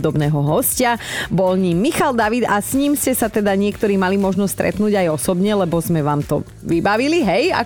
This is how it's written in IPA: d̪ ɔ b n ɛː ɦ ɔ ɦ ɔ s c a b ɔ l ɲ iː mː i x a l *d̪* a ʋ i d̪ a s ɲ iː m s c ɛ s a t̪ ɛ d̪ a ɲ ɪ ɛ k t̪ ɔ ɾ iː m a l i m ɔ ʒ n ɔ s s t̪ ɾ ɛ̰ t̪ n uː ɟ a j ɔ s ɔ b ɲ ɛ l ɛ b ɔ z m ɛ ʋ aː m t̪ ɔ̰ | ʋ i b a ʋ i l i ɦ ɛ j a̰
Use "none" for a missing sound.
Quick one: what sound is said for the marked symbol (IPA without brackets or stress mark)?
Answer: d̪